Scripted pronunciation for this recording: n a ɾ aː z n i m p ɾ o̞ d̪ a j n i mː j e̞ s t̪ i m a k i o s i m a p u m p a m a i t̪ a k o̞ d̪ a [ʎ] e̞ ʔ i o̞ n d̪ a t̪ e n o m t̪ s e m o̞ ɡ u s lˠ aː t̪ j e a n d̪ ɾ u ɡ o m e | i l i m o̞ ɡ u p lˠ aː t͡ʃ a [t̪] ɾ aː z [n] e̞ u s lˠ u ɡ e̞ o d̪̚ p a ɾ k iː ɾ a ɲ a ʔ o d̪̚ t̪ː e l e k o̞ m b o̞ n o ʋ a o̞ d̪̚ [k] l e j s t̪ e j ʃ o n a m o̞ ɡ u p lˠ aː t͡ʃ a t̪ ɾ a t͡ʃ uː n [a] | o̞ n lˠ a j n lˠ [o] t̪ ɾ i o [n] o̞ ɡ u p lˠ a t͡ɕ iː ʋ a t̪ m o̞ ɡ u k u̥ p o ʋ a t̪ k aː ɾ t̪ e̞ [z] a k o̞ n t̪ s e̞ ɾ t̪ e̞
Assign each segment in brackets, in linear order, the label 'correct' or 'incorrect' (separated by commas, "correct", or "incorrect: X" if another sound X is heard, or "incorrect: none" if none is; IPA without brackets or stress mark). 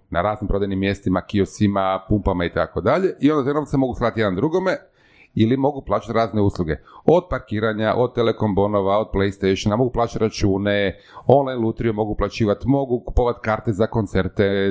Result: correct, correct, correct, incorrect: p, incorrect: e, incorrect: u, incorrect: m, correct